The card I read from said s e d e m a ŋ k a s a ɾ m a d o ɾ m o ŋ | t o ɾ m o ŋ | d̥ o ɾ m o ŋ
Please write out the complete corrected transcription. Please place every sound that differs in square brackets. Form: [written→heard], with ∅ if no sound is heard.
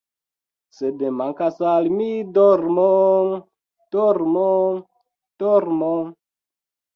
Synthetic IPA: s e d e m a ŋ k a s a [ɾ→l] m [a→i] d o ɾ m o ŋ | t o ɾ m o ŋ | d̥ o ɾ m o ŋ